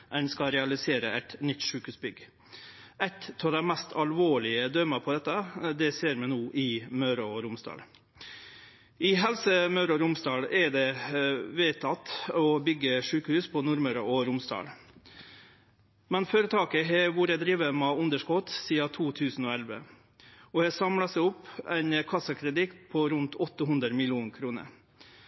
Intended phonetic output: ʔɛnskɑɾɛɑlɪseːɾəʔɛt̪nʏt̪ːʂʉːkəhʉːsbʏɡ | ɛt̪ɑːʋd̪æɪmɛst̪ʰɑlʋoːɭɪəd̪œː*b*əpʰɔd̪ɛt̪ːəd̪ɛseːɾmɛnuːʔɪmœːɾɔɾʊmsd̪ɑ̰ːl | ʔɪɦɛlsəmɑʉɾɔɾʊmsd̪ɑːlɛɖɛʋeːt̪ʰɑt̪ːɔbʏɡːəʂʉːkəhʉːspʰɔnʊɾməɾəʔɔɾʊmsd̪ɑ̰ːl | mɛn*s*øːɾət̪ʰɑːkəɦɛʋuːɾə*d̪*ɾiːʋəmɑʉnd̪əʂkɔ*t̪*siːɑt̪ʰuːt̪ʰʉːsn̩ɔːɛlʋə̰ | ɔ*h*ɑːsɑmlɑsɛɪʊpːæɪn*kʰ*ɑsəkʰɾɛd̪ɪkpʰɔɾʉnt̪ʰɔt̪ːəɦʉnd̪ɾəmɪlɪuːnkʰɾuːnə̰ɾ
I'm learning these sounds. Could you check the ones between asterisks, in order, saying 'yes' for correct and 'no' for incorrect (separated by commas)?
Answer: no, no, yes, yes, yes, yes